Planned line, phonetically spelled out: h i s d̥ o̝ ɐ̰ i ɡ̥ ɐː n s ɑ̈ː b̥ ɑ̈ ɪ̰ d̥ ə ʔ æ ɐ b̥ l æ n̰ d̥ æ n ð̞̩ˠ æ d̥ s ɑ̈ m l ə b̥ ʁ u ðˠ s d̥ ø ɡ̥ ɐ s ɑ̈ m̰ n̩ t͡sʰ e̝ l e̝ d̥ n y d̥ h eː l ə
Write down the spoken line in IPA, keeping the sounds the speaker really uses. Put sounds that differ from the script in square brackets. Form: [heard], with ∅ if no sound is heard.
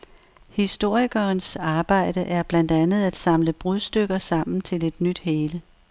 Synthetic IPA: h i s d̥ o̝ ɐ̰ i ɡ̥ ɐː n s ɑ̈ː b̥ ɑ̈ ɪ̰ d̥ ə ʔ æ ɐ b̥ l æ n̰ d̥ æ n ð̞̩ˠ æ d̥ s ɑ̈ m l ə b̥ ʁ u ðˠ s d̥ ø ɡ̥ ɐ s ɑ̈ m̰ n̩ t͡sʰ e̝ l e̝ d̥ n y d̥ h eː l ə